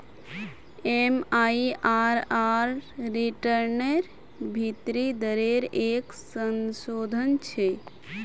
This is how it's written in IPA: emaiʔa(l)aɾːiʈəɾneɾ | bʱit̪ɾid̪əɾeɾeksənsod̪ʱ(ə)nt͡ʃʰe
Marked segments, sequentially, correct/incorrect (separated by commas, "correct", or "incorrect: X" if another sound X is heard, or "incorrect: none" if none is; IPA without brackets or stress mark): incorrect: ɾ, correct